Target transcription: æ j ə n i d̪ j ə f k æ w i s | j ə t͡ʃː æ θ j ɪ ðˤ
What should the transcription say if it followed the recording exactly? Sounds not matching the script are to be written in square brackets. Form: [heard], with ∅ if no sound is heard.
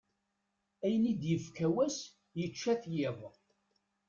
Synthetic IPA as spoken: æ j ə n i d̪ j ə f k æ w [æ] s | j ə t͡ʃː æ θ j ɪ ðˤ